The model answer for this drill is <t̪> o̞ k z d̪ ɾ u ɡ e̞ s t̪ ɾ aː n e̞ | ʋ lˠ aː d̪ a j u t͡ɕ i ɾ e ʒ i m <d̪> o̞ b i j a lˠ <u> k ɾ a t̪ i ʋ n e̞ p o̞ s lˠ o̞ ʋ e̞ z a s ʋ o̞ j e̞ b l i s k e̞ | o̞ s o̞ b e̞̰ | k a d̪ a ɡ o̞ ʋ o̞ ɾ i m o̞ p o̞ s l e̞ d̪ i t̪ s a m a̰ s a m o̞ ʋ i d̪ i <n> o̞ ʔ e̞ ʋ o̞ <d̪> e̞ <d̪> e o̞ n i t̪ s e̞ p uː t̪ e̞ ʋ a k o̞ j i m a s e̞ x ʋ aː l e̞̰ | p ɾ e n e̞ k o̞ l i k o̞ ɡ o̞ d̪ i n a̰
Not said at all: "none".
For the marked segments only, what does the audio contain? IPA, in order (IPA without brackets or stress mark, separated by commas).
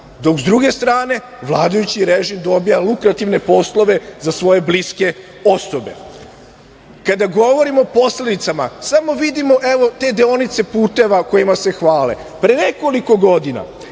d̪, d̪, u, m, t̪, d̪